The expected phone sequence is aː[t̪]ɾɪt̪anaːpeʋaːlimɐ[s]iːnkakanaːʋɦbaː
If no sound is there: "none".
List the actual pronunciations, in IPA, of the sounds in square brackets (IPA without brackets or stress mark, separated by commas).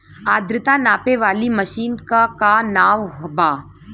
d̪, ʃ